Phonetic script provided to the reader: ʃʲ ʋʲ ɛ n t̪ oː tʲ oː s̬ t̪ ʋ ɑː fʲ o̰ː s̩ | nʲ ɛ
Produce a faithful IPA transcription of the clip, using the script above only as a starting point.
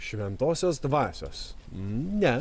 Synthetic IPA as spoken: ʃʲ ʋʲ ɛ n t̪ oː sʲ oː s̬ d̪ ʋ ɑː sʲ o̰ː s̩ | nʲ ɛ